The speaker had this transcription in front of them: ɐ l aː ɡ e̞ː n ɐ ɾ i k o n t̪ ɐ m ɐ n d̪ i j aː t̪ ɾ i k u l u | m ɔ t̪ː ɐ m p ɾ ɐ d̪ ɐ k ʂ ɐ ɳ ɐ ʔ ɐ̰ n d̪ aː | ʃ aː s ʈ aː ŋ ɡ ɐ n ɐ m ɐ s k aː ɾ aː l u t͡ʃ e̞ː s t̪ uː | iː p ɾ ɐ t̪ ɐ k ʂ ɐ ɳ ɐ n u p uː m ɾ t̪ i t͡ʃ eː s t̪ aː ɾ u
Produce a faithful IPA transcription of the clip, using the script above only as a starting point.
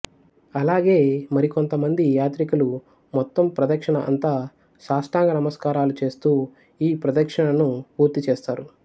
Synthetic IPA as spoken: ɐ l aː ɡ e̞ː m ɐ ɾ i k o n t̪ ɐ m ɐ n d̪ i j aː t̪ ɾ i k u l u | m ɔ t̪ː ɐ m p ɾ ɐ d̪ ɐ k ʂ ɐ ɳ ɐ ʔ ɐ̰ n t̪ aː | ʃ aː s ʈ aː ŋ ɡ ɐ n ɐ m ɐ s k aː ɾ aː l u t͡ʃ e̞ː s t̪ uː | iː p ɾ ɐ d̪ ɐ k ʂ ɐ ɳ ɐ n u p uː ɾ t̪ i t͡ʃ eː s t̪ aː ɾ u